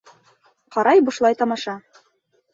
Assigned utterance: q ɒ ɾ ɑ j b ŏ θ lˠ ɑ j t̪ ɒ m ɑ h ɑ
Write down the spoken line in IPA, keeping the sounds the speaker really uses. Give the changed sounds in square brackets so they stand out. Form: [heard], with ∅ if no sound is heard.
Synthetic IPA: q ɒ ɾ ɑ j b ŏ [ʃ] lˠ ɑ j t̪ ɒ m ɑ [ʃ] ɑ